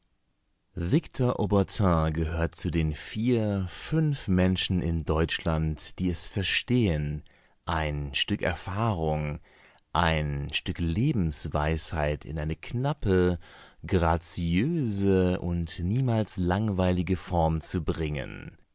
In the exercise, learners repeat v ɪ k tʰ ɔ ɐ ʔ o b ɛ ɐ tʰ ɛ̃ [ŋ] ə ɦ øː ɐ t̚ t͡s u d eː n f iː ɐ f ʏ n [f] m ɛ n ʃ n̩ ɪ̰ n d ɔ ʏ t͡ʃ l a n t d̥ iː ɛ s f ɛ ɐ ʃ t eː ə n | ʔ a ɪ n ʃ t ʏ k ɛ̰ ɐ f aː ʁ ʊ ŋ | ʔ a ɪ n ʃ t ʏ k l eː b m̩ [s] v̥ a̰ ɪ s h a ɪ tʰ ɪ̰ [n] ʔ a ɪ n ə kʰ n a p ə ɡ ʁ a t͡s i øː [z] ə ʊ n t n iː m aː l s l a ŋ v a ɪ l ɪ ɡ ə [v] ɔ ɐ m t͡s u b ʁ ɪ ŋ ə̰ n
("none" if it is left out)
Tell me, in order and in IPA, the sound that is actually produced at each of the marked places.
ɡ, f, s, n, z, f

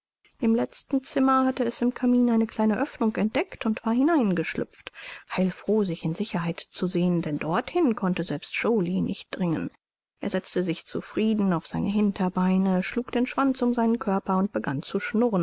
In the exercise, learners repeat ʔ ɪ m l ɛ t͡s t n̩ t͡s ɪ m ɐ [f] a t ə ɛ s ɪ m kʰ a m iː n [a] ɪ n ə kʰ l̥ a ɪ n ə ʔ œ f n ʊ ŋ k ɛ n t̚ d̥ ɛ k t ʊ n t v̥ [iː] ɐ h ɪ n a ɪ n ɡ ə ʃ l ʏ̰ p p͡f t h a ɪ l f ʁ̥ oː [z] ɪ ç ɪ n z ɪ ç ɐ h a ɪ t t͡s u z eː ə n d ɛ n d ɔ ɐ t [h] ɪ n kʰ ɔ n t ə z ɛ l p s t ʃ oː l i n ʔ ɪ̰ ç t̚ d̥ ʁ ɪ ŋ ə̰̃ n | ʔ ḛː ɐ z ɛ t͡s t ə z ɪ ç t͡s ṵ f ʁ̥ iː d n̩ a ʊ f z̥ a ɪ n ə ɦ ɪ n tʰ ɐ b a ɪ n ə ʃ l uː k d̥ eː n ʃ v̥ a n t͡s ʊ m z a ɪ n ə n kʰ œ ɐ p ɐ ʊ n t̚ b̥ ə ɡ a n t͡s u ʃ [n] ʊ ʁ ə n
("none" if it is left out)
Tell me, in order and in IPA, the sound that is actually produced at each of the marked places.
h, a, aː, z, h, n

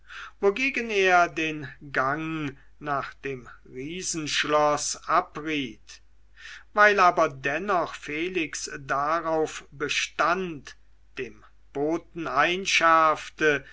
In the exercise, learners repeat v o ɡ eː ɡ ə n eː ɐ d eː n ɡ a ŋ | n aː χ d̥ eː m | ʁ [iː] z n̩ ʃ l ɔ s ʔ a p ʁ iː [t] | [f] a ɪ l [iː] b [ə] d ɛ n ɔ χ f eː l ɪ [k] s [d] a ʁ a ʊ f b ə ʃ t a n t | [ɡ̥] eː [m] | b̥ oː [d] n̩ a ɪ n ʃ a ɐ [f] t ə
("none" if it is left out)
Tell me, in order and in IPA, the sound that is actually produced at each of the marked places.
iː, t, v, aː, ɐ, k, d, d̥, m, t, f

